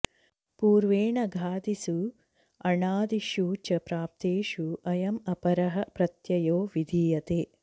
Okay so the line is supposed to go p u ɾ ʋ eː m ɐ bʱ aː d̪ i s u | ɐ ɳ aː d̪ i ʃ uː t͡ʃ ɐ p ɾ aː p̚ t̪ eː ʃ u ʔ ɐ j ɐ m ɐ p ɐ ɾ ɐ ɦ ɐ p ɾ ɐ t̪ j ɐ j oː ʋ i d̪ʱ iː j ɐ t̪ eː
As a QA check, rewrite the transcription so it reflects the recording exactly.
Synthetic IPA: p uː ɾ ʋ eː ɳ ɐ ɡʱ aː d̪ i s u | ɐ ɳ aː d̪ i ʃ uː t͡ʃ ɐ p ɾ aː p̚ t̪ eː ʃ u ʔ ɐ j ɐ m ɐ p ɐ ɾ ɐ ɦ ɐ p ɾ ɐ t̪ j ɐ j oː ʋ i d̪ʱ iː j ɐ t̪ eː

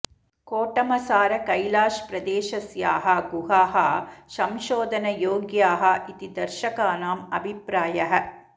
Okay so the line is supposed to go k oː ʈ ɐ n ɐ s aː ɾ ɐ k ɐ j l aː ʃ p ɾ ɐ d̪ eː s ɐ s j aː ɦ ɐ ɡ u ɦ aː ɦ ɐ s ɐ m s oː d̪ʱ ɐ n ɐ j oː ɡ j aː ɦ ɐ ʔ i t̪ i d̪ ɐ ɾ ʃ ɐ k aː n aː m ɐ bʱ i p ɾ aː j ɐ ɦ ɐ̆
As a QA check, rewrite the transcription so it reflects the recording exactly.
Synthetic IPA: k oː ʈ ɐ m ɐ s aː ɾ ɐ k ɐ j l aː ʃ p ɾ ɐ d̪ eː ʃ ɐ s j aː ɦ ɐ ɡ u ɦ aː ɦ ɐ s ɐ m ʃ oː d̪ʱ ɐ n ɐ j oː ɡ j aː ɦ ɐ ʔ i t̪ i d̪ ɐ ɾ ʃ ɐ k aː n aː m ɐ bʱ i p ɾ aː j ɐ ɦ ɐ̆

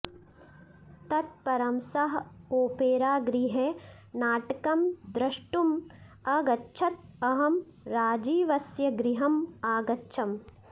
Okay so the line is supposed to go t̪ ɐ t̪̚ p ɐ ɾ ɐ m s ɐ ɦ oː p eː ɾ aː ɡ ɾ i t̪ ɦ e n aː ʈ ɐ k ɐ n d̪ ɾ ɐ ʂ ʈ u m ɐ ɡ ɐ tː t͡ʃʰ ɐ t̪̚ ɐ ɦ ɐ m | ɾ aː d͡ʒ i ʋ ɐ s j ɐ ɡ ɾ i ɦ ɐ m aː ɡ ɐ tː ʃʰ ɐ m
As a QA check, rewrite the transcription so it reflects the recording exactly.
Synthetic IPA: t̪ ɐ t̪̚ p ɐ ɾ ɐ m s ɐ ɦ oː p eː ɾ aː ɡ ɾ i ɦ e n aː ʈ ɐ k ɐ m d̪ ɾ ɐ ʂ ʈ u m ɐ ɡ ɐ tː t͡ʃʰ ɐ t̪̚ ɐ ɦ ɐ m | ɾ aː d͡ʒ iː ʋ ɐ s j ɐ ɡ ɾ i ɦ ɐ m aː ɡ ɐ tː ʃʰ ɐ m

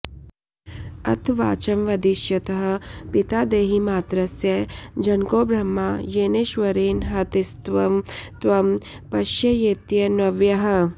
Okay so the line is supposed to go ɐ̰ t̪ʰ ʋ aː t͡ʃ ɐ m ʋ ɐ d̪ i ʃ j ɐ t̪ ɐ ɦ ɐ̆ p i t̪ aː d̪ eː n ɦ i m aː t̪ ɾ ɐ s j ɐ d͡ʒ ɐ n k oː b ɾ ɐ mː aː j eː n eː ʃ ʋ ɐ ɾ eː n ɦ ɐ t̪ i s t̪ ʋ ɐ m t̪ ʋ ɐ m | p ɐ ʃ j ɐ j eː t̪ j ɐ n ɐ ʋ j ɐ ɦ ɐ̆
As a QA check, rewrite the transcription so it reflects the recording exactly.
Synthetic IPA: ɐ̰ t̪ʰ ʋ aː t͡ʃ ɐ m ʋ ɐ d̪ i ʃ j ɐ t̪ ɐ ɦ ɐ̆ p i t̪ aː d̪ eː ɦ i m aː t̪ ɾ ɐ s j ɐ d͡ʒ ɐ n k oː b ɾ ɐ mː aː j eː n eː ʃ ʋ ɐ ɾ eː n ɦ ɐ t̪ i s t̪ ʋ ɐ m t̪ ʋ ɐ m | p ɐ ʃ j ɐ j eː t̪ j ɐ n ɐ ʋ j ɐ ɦ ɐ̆

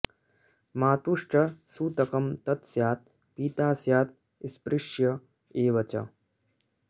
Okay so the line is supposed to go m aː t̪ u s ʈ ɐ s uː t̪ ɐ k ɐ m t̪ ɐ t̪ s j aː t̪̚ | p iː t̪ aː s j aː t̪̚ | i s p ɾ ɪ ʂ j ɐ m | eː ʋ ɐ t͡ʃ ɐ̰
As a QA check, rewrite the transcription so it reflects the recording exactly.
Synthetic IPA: m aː t̪ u ʂ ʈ ɐ s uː t̪ ɐ k ɐ m t̪ ɐ t̪ s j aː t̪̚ | p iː t̪ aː s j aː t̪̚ | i s p ɾ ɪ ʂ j ɐ | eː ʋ ɐ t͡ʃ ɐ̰

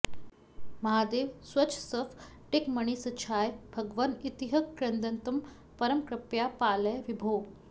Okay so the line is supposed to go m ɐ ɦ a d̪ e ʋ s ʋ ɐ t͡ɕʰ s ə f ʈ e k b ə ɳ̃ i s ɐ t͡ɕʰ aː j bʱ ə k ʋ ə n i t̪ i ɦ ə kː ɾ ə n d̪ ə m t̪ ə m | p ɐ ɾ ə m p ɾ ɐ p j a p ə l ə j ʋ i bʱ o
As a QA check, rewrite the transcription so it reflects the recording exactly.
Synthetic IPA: m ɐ ɦ a d̪ e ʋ s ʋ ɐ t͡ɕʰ s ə f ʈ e k m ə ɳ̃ i s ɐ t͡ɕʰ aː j bʱ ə ɡ ʋ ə n i t̪ i ɦ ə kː ɾ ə n d̪ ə n t̪ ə m | p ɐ ɾ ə m k ɾ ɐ p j a p a l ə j ʋ i bʱ o

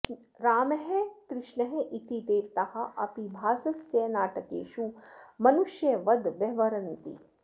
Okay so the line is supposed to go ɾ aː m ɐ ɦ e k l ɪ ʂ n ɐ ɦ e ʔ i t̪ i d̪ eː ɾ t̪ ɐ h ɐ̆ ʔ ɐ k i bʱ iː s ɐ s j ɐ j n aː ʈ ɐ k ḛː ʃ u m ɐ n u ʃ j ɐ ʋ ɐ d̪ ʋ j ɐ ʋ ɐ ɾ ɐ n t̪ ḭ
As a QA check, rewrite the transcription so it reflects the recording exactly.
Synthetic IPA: ɾ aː m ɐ ɦ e k ɾ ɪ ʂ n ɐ ɦ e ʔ i t̪ i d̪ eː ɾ t̪ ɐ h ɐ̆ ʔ ɐ p i bʱ aː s ɐ s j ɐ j n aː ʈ ɐ k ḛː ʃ u m ɐ n u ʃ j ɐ ʋ ɐ d̪ ʋ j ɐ ʋ ɐ ɾ ɐ n t̪ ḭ

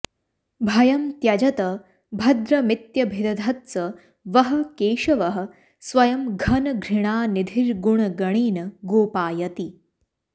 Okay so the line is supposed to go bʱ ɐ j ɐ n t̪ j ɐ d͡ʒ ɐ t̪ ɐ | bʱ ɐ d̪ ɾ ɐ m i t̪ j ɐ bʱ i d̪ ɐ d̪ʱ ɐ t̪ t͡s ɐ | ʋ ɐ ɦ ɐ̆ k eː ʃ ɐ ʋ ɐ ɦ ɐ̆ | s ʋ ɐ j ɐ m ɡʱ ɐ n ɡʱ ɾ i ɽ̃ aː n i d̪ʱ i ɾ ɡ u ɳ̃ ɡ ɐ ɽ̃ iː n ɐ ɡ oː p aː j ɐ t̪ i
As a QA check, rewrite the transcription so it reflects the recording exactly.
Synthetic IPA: bʱ ɐ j ɐ m t̪ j ɐ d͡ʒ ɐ t̪ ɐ | bʱ ɐ d̪ ɾ ɐ m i t̪ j ɐ bʱ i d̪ ɐ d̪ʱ ɐ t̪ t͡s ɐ | ʋ ɐ ɦ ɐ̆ k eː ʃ ɐ ʋ ɐ ɦ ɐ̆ | s ʋ ɐ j ɐ m ɡʱ ɐ n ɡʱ ɾ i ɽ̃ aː n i d̪ʱ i ɾ ɡ u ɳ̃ ɡ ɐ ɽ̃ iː n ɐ ɡ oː p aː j ɐ t̪ i

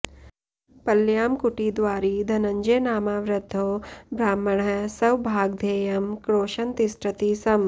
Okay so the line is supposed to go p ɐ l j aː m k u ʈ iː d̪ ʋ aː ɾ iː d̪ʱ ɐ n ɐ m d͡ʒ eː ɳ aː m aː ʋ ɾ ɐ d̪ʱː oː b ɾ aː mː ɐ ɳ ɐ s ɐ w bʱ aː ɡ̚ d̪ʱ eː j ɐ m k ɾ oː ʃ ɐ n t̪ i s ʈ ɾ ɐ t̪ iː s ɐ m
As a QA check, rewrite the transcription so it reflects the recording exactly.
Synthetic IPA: p ɐ l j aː m k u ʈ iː d̪ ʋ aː ɾ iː d̪ʱ ɐ n ɐ ɲ d͡ʒ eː n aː m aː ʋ ɾ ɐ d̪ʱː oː b ɾ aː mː ɐ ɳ ɐ s ɐ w bʱ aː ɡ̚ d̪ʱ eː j ɐ m k ɾ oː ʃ ɐ n t̪ i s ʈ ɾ ɐ t̪ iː s ɐ m

